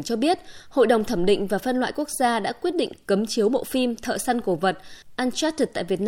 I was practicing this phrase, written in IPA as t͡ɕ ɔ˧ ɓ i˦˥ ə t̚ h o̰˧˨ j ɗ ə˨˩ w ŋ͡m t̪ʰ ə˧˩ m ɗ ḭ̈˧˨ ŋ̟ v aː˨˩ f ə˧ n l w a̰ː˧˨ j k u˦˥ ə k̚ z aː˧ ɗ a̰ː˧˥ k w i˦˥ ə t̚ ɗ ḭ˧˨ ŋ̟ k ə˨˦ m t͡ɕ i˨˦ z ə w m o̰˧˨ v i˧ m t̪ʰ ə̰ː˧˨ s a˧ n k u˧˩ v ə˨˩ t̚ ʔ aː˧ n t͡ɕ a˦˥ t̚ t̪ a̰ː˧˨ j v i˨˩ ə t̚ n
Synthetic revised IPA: t͡ɕ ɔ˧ ɓ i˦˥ ə t̚ h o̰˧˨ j ɗ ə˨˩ w ŋ͡m t̪ʰ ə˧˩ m ɗ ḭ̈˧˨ ŋ̟ v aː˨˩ f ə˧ n l w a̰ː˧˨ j k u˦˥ ə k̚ z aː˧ ɗ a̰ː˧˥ k w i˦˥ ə t̚ ɗ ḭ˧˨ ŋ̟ k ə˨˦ m t͡ɕ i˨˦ ə w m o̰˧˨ f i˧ m t̪ʰ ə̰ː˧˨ s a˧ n k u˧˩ v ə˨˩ t̚ ʔ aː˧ n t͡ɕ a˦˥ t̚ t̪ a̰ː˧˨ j v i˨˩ ə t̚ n